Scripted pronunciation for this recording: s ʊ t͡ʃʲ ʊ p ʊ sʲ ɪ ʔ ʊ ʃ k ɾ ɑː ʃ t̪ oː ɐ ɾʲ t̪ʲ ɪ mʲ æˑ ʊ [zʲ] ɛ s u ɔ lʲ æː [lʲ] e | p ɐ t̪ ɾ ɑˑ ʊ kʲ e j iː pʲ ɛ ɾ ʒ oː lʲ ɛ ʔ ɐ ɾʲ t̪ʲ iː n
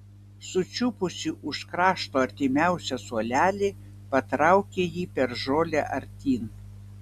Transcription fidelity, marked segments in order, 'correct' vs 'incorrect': incorrect: sʲ, correct

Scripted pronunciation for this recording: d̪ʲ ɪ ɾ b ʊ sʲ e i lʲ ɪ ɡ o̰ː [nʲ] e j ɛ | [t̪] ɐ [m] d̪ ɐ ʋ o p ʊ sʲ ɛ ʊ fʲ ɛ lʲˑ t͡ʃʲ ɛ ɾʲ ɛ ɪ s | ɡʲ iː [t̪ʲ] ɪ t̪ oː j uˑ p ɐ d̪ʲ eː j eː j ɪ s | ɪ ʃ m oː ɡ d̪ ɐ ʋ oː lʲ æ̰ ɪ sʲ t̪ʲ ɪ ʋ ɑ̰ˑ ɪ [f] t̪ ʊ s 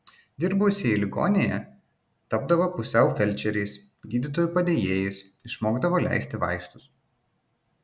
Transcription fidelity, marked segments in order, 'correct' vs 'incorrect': correct, correct, incorrect: b, incorrect: d̪ʲ, incorrect: s

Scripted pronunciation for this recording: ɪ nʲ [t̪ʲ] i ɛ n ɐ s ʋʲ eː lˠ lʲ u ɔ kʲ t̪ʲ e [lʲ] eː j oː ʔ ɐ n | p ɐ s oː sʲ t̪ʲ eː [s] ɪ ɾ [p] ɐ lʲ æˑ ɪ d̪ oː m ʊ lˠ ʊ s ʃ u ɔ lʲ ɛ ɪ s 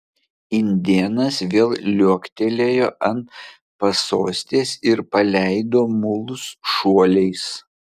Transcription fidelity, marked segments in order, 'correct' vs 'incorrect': incorrect: d̪ʲ, correct, correct, correct

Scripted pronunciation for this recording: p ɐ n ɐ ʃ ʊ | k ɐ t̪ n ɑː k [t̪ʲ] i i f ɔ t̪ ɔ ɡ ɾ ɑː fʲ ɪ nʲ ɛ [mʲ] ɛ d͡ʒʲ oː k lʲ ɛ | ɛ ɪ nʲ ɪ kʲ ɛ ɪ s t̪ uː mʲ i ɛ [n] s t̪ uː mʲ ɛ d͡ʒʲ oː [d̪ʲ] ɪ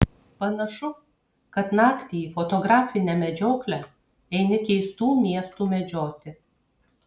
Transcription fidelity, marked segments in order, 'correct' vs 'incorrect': correct, correct, incorrect: none, incorrect: t̪ʲ

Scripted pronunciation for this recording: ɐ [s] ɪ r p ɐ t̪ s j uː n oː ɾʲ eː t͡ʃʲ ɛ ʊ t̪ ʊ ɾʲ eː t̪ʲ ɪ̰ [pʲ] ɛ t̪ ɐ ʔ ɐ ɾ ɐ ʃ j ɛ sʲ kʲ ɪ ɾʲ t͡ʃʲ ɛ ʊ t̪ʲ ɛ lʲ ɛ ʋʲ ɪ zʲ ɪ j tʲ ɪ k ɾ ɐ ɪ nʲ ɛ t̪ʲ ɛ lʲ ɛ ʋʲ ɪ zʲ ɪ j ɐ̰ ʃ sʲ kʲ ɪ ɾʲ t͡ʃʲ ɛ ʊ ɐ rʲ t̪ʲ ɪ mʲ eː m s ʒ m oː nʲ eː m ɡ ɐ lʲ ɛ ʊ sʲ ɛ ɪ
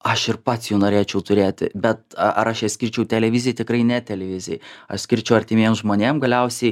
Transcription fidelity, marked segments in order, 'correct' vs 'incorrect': incorrect: ʃ, incorrect: bʲ

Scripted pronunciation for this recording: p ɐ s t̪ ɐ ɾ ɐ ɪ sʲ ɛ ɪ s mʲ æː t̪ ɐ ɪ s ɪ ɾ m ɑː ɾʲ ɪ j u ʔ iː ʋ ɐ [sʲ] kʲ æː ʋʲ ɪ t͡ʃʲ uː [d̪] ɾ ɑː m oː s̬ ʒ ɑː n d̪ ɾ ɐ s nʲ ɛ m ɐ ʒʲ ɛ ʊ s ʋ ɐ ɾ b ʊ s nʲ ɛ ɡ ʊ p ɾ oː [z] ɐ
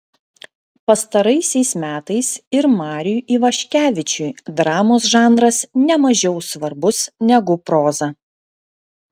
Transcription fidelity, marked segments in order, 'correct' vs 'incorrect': incorrect: ʃʲ, correct, correct

